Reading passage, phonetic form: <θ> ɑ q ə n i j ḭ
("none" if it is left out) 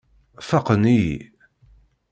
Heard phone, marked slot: f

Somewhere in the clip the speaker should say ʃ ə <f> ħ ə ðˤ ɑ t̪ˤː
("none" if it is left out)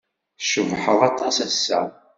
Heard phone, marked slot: v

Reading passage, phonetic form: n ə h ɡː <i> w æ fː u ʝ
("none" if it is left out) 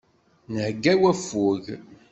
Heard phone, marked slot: æ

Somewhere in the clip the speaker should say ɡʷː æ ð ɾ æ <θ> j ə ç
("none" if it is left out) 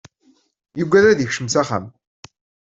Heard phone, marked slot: ð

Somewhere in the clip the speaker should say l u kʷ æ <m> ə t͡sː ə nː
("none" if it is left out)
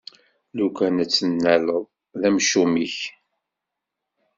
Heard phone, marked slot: n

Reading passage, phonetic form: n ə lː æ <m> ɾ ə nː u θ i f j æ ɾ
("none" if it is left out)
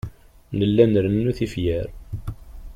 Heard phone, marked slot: n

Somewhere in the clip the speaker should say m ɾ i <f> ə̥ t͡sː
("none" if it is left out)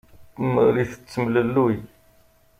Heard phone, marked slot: θ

